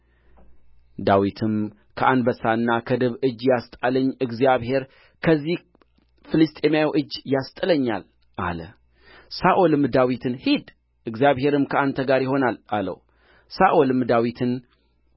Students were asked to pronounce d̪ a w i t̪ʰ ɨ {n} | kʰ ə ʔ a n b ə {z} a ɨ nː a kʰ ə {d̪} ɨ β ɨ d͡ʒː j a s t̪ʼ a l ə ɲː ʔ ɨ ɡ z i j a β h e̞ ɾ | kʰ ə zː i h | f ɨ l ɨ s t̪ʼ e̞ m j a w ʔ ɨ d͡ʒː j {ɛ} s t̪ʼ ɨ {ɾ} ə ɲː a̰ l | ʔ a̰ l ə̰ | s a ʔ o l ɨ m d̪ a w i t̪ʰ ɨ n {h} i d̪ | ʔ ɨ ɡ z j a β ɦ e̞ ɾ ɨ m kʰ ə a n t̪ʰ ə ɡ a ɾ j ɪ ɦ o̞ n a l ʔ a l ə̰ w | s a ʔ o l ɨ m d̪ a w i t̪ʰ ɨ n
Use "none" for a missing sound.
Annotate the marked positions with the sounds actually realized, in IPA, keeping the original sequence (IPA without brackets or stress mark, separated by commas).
m, s, d̪, a, l, h